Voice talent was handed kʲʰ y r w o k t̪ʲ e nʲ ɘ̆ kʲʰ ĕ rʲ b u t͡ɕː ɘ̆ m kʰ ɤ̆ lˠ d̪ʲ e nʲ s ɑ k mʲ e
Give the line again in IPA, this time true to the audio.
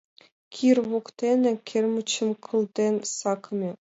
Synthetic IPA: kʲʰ i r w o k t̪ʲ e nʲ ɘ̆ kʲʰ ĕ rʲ m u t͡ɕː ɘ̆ m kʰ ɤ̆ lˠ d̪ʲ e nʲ s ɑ k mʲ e